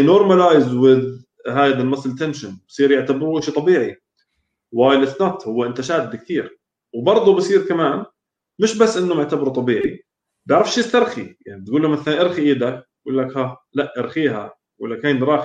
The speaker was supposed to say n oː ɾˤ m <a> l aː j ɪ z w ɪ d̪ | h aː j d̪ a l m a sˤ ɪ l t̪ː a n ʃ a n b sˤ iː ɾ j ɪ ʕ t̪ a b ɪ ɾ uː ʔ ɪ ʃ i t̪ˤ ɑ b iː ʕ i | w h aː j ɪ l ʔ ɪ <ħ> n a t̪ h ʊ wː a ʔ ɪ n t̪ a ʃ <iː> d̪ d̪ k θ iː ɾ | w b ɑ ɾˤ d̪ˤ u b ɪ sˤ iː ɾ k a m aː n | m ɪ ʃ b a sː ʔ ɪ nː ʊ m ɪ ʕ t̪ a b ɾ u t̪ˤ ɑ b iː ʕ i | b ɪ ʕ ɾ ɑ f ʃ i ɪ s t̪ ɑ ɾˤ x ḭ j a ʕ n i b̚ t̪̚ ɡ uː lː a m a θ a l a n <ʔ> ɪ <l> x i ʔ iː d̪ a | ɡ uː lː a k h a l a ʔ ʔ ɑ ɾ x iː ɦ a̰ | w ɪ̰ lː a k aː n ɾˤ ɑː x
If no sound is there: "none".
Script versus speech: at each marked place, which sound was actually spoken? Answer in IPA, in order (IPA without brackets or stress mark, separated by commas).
a, θ, aː, ʔ, ɾ